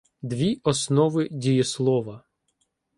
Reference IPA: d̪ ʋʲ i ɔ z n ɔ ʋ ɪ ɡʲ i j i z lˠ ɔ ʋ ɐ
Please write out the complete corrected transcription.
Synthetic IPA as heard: d̪ ʋʲ i ɔ s n ɔ ʋ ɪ dʲ i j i s lˠ ɔ ʋ ɐ

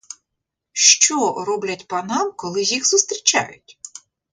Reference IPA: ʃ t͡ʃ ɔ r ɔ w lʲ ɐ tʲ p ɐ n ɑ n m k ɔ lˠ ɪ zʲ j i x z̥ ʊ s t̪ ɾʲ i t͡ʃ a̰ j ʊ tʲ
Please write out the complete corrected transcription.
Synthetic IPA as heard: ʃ t͡ʃ ɔ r ɔ b lʲ ɐ tʲ p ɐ n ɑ m k ɔ lˠ ɪ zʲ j i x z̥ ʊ s t̪ ɾʲ i t͡ʃ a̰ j ʊ tʲ

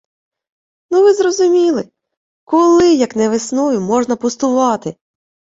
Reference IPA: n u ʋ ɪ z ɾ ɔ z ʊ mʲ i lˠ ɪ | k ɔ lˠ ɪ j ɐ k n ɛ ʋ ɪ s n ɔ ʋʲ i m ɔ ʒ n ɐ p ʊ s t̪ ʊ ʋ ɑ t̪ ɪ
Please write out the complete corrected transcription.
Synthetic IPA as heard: n u ʋ ɪ z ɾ ɔ z ʊ mʲ i lˠ ɪ | k ɔ lˠ ɪ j ɐ k n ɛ ʋ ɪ s n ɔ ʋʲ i m ɔ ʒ n ɐ p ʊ s t̪ ʊ ʋ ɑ t̪ ɪ

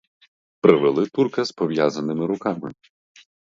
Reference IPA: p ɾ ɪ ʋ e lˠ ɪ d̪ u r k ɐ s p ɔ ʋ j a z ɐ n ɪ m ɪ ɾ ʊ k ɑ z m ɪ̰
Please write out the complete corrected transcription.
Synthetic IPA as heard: p ɾ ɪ ʋ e lˠ ɪ t̪ u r k ɐ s p ɔ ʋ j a z ɐ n ɪ m ɪ ɾ ʊ k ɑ m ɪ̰

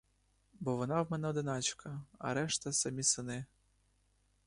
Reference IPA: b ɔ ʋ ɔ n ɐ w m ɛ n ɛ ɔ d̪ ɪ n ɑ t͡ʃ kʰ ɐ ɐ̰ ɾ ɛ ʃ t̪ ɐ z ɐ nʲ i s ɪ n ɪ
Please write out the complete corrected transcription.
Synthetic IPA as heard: b ɔ ʋ ɔ n ɑ w m ɛ n ɛ ɔ d̪ ɪ n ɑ t͡ʃ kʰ ɐ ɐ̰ ɾ ɛ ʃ t̪ ɐ s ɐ mʲ i s ɪ n ɪ

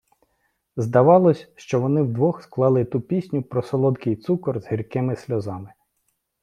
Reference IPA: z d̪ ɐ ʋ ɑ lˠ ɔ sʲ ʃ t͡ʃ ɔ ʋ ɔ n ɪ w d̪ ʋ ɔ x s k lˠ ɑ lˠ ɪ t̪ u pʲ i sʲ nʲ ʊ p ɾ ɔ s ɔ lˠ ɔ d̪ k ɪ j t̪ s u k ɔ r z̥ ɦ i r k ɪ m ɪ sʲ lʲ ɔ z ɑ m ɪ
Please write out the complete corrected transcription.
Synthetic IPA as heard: z d̪ ɐ ʋ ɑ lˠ ɔ sʲ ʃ t͡ʃ ɔ ʋ ɔ n ɪ w d̪ ʋ ɔ x s k lˠ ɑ lˠ ɪ t̪ u pʲ i sʲ nʲ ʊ p ɾ ɔ s ɔ lˠ ɔ d̪ k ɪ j t̪ s u k ɔ r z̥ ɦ i r k ɪ m ɪ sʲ lʲ ɔ z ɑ m ɪ

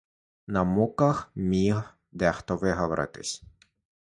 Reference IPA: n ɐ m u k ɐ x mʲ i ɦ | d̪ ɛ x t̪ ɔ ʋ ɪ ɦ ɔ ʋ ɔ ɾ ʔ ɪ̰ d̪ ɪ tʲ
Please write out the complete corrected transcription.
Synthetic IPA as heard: n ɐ m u k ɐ x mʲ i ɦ | d̪ ɛ x t̪ ɔ ʋ ɪ ɦ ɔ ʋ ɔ ɾ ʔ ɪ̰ t̪ ɪ sʲ

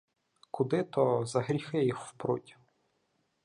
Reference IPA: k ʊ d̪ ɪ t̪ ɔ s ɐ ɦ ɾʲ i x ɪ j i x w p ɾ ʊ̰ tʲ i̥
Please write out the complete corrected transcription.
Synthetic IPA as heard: k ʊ d̪ ɪ t̪ ɔ z ɐ ɦ ɾʲ i x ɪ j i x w p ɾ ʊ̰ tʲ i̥

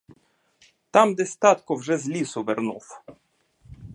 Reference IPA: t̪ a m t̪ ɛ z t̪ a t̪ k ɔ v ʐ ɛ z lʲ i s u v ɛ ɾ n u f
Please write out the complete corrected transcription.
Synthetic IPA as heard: t̪ a m d̪ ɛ s t̪ a t̪ k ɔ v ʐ ɛ z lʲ i s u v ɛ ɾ n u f

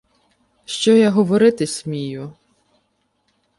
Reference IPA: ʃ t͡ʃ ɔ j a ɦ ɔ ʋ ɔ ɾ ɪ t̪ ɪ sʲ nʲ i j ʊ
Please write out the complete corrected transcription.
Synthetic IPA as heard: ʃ t͡ʃ ɔ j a ɦ ɔ ʋ ɔ ɾ ɪ t̪ ɪ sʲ mʲ i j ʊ

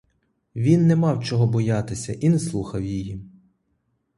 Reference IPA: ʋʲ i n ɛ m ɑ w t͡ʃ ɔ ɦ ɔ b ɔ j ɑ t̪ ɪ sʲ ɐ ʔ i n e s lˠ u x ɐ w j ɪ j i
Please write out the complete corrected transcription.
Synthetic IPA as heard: ʋʲ i nː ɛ m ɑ w t͡ʃ ɔ ɦ ɔ b ɔ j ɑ t̪ ɪ sʲ ɐ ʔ i n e s lˠ u x ɐ w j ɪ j i

